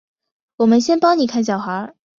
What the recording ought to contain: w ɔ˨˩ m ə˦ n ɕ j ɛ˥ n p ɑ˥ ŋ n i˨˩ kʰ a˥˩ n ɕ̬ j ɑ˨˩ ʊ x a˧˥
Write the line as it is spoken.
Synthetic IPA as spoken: w ɔ˨˩ m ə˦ n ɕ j ɛ˥ n p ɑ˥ ŋ n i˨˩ kʰ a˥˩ n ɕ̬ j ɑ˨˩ ʊ x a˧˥